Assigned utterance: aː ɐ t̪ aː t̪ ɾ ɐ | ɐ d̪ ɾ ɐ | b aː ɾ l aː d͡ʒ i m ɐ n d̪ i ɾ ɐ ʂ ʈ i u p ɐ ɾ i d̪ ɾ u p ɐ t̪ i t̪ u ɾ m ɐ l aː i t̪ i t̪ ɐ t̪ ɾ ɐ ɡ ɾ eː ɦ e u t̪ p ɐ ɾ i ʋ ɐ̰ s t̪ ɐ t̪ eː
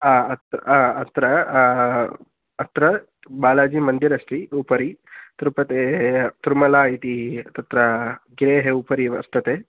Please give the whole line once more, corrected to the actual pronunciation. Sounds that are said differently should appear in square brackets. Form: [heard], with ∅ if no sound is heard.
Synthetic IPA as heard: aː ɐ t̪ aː t̪ ɾ ɐ | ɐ [t̪] ɾ ɐ | b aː [∅] l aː d͡ʒ i m ɐ n d̪ i ɾ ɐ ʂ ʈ i u p ɐ ɾ i [t̪] ɾ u p ɐ t̪ [e] t̪ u ɾ m ɐ l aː i t̪ i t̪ ɐ t̪ ɾ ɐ ɡ ɾ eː ɦ e u [∅] p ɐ ɾ i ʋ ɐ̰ s t̪ ɐ t̪ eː